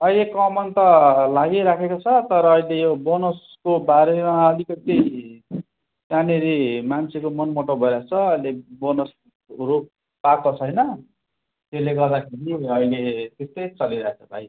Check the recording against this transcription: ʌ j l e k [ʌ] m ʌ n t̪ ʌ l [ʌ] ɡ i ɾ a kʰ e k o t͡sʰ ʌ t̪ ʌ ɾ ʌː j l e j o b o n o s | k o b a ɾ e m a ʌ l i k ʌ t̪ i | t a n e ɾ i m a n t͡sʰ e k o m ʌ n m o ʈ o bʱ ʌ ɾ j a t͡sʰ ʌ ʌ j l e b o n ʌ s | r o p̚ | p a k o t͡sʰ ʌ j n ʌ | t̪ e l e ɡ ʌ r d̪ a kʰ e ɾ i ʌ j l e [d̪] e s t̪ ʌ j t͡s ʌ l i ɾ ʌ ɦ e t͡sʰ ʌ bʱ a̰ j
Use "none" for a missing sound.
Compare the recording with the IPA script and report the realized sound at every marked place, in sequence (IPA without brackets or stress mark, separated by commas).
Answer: ʌ, a, t̪